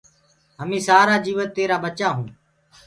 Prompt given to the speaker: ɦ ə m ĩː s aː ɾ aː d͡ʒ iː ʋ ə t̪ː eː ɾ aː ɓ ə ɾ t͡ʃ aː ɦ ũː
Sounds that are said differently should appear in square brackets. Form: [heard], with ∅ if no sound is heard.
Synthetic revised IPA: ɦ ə m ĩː s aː ɾ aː d͡ʒ iː ʋ ə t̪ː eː ɾ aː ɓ ə [∅] t͡ʃ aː ɦ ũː